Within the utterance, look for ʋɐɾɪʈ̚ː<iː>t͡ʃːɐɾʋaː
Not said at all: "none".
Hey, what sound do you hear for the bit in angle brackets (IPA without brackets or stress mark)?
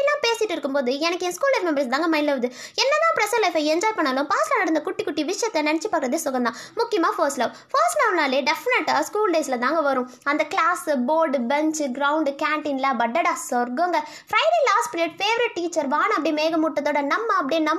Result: iː